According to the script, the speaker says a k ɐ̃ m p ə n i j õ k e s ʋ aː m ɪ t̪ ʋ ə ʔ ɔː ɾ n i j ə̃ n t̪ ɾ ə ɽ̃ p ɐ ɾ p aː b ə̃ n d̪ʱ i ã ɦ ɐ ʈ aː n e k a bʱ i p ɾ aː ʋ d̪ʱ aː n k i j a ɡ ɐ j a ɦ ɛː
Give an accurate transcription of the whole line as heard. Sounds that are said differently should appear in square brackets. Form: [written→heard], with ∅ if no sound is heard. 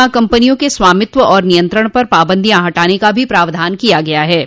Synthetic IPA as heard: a k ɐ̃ m p ə n i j õ k e s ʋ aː m ɪ t̪ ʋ ə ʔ ɔː ɾ n i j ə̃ n t̪ ɾ ə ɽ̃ p ɐ ɾ p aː b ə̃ n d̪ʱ i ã ɦ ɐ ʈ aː n e k a bʱ i p ɾ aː ʋ d̪ʱ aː n k i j a ɡ ɐ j a ɦ ɛː

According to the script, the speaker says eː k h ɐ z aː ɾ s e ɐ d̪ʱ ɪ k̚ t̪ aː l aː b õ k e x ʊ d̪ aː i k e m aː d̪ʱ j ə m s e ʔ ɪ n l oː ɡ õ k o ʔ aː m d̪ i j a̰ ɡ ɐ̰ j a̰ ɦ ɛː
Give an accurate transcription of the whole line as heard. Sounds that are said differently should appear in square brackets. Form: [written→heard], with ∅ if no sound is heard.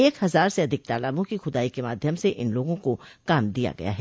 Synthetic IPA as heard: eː k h ɐ z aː ɾ s e ɐ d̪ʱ ɪ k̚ t̪ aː l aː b õ k [e→i] x ʊ d̪ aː i k e m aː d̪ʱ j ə m s e ʔ ɪ n l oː ɡ õ k o [ʔ→k] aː m d̪ i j a̰ ɡ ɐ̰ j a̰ ɦ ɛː

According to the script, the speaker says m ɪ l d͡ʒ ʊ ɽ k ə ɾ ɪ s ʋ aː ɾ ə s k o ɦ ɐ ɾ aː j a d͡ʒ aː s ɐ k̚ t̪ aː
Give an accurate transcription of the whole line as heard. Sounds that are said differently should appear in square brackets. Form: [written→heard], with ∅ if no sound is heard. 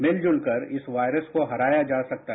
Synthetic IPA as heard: m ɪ l d͡ʒ ʊ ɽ k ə ɾ ɪ s ʋ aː ɾ ə s k o ɦ ɐ ɾ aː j a d͡ʒ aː s ɐ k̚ t̪ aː

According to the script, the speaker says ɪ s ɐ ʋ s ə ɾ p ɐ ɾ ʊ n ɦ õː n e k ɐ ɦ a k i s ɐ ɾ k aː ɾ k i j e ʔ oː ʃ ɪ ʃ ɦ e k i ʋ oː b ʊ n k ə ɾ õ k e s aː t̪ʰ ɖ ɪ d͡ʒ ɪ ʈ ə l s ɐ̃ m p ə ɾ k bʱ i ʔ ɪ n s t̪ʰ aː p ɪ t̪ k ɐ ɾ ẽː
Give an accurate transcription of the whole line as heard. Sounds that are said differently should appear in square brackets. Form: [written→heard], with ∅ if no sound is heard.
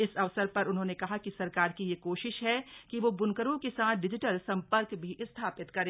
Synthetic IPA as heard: ɪ s ɐ ʋ s ə ɾ p ɐ ɾ ʊ n ɦ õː n e k ɐ ɦ a k i s ɐ ɾ k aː ɾ k i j e [ʔ→k] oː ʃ ɪ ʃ ɦ [e→ɛ] k i ʋ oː b ʊ n k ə ɾ õ k e s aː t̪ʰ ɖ ɪ d͡ʒ ɪ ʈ ə l s ɐ̃ m p ə ɾ k bʱ i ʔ ɪ [n→∅] s t̪ʰ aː p ɪ t̪ k ɐ ɾ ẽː

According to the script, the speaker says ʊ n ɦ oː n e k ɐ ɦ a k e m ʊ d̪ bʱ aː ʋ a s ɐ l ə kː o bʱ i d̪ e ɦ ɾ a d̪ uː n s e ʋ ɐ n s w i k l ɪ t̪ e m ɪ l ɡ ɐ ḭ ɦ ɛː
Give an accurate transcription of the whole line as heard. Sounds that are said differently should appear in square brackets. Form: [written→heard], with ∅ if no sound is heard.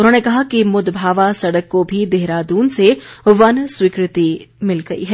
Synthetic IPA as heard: ʊ n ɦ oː n e k ɐ ɦ a k [e→i] m ʊ d̪ bʱ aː ʋ a s ɐ [l→ɽ] ə kː o bʱ i d̪ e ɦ ɾ a d̪ uː n s e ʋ ɐ n s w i k [l→ɾ] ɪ t̪ [e→i] m ɪ l ɡ ɐ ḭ ɦ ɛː

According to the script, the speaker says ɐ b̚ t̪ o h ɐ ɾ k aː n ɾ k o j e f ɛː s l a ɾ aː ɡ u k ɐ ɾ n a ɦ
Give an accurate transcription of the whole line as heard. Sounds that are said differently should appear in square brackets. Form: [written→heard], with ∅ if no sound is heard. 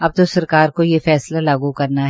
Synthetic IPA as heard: ɐ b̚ t̪ o [h→s] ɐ ɾ k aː [n→∅] ɾ k o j e f ɛː s l a [ɾ→l] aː ɡ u k ɐ ɾ n a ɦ

